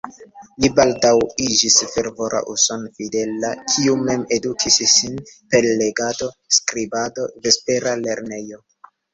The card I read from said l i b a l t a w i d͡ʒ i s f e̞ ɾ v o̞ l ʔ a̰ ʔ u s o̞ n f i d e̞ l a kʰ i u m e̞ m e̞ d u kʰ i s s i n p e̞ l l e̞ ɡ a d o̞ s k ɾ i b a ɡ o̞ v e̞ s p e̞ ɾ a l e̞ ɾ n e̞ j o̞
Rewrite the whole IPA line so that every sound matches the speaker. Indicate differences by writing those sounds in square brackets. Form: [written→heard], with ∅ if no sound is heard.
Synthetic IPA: l i b a l [t→d] a w i d͡ʒ i s f e̞ ɾ v o̞ [l→ɾ] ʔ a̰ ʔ u s o̞ n f i d e̞ l a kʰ i u m e̞ m e̞ d u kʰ i s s i n p e̞ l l e̞ ɡ a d o̞ s k ɾ i b a [ɡ→d] o̞ v e̞ s p e̞ ɾ a l e̞ ɾ n e̞ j o̞

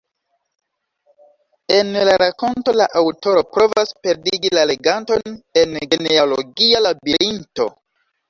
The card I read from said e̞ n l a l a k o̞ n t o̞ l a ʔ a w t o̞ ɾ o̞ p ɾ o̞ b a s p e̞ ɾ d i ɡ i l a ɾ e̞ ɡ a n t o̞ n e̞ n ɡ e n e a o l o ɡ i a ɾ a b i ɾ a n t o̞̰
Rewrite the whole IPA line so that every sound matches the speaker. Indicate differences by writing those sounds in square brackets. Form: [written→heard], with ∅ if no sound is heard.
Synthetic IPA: e̞ n l a [l→ɾ] a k o̞ n t o̞ l a ʔ a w t o̞ ɾ o̞ p ɾ o̞ [b→v] a s p e̞ ɾ d i ɡ i l a [ɾ→l] e̞ ɡ a n t o̞ n e̞ n ɡ e n e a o l o ɡ i a [ɾ→l] a b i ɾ [a→i] n t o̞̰

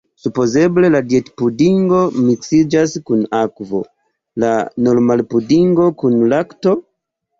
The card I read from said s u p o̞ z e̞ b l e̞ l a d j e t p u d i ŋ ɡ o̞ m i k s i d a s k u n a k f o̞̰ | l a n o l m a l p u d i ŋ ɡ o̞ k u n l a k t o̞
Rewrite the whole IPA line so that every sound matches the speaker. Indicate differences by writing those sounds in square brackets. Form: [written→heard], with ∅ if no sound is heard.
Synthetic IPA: s u p o̞ z e̞ b l e̞ l a d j e t p u d i ŋ ɡ o̞ m i k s i [d→d͡ʒ] a s k u n a k [f→v] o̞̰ | l a n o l m a l p u d i ŋ ɡ o̞ k u n l a k t o̞

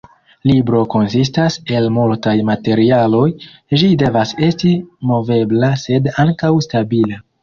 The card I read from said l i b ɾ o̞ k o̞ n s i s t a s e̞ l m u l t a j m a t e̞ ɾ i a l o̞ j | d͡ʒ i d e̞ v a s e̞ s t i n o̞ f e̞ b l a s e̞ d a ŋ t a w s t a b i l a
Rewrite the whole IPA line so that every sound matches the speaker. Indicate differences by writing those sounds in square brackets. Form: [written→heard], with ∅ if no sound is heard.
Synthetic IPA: l i b ɾ o̞ k o̞ n s i s t a s e̞ l m u l t a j m a t e̞ ɾ i a l o̞ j | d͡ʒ i d e̞ v a s e̞ s t i [n→m] o̞ [f→v] e̞ b l a s e̞ d a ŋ [t→k] a w s t a b i l a

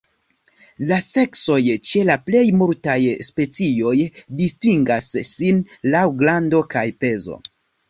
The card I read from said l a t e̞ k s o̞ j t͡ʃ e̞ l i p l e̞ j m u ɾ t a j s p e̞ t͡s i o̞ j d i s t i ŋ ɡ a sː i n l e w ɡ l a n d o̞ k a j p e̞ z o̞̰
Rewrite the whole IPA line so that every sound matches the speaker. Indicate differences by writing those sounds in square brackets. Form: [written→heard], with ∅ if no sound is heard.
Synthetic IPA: l a [t→s] e̞ k s o̞ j t͡ʃ e̞ l [i→a] p l e̞ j m u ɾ t a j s p e̞ t͡s i o̞ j d i s t i ŋ ɡ a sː i n l [e→a] w ɡ l a n d o̞ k a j p e̞ z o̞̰

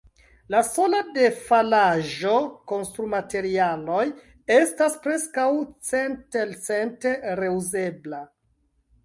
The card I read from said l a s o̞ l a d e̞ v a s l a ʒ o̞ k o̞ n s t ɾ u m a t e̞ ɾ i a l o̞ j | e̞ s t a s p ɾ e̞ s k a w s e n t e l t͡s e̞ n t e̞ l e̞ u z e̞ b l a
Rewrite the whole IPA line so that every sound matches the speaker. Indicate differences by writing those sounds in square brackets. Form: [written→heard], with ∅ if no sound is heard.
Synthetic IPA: l a s o̞ l a d e̞ [v→f] a [s→∅] l a ʒ o̞ k o̞ n s t ɾ u m a t e̞ ɾ i a l o̞ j | e̞ s t a s p ɾ e̞ s k a w [s→t͡s] e n t e l t͡s e̞ n t e̞ [l→ɾ] e̞ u z e̞ b l a

